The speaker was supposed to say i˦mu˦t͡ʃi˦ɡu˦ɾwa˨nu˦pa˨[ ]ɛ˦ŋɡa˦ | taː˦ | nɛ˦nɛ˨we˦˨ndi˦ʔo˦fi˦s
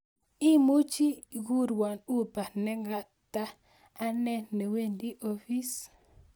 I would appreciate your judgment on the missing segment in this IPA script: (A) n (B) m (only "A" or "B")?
A